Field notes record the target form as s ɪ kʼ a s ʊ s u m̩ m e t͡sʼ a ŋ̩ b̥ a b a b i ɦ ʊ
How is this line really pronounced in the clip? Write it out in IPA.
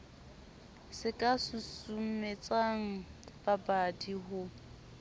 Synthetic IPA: s ɪ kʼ a s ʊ s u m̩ m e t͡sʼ a ŋ̩ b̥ a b a d i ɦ ʊ